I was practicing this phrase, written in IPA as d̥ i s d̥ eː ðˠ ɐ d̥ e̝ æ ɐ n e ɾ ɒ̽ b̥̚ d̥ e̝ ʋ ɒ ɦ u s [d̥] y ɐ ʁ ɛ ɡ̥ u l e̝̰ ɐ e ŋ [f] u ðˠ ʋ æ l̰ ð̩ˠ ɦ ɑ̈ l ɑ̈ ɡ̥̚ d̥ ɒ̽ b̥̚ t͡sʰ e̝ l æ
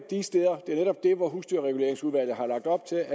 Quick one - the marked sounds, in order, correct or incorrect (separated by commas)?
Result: correct, incorrect